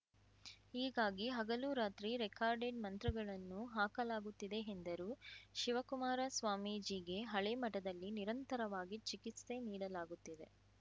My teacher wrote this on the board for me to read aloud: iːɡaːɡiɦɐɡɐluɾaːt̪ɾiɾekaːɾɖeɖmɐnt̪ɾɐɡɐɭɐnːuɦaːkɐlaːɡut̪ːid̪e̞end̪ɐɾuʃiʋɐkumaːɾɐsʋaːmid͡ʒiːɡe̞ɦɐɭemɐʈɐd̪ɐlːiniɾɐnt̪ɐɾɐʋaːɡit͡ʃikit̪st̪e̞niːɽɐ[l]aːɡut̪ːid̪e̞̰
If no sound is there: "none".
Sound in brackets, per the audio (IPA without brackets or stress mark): l